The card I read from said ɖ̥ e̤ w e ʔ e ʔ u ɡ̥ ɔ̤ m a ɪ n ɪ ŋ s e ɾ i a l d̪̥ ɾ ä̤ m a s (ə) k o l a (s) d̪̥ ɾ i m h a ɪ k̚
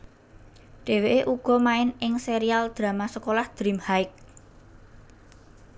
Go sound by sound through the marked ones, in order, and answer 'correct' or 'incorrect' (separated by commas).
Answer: correct, incorrect